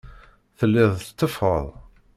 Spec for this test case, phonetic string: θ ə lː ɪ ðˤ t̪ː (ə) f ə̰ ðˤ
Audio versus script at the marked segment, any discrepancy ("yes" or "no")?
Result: no